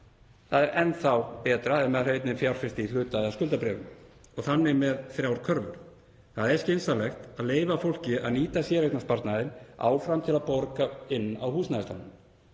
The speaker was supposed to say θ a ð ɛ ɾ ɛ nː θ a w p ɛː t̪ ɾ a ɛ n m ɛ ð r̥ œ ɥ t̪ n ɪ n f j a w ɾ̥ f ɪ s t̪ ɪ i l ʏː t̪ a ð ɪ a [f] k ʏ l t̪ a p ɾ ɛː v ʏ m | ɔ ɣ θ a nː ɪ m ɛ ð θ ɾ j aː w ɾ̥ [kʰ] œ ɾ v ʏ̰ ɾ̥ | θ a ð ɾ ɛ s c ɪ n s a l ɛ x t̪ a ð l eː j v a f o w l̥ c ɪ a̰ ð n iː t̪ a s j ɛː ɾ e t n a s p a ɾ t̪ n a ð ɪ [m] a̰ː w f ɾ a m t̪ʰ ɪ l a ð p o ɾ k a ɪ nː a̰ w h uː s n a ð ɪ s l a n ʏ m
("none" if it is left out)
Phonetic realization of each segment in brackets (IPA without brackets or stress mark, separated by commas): s, kʰ, n